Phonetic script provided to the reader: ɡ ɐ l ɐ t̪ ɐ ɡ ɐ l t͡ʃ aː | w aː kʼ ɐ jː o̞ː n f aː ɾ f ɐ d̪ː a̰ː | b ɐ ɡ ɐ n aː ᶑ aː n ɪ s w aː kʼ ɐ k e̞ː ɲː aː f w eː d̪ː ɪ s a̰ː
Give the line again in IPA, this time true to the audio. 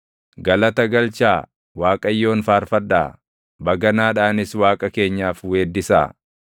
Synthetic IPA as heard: ɡ ɐ l ɐ t̪ ɐ ɡ ɐ l t͡ʃ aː | w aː kʼ ɐ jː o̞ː n f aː ɾ f ɐ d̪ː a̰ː | b ɐ ɡ ɐ n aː ᶑ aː n ɪ s w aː kʼ ɐ k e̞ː ɲː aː f w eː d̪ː ɪ s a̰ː